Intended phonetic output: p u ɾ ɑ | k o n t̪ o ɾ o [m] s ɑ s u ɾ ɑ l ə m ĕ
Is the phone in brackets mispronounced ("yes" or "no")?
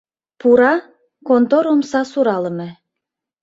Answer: no